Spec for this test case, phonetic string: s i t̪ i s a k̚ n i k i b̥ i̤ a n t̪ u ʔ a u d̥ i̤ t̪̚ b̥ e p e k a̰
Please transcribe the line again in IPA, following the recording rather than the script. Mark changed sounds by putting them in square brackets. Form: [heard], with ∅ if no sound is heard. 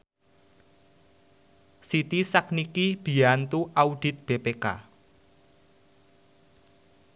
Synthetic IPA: s i t̪ i s a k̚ n i k i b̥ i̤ a n t̪ u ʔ a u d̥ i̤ t̪̚ b̥ e p e k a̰